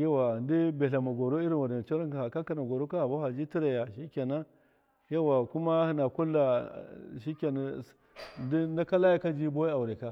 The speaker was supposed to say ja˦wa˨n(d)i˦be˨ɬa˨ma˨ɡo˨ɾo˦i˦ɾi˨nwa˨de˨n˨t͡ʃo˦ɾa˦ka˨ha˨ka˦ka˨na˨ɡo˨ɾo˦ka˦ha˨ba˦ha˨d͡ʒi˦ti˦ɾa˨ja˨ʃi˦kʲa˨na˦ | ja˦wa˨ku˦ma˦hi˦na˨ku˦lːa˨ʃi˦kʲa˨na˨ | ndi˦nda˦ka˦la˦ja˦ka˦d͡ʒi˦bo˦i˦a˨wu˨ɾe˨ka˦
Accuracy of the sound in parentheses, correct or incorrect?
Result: correct